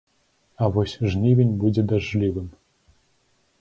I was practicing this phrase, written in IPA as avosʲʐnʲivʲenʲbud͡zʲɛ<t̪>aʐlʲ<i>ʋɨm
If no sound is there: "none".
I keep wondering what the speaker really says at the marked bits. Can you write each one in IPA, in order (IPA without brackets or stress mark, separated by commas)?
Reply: d̪, i